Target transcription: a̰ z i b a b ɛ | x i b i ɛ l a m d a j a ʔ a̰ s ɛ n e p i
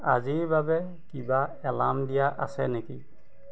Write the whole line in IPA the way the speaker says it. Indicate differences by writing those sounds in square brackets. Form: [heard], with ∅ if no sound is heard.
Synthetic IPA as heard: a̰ z i b a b ɛ | [k] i b [a] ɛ l a m d [i] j a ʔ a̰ s ɛ n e [k] i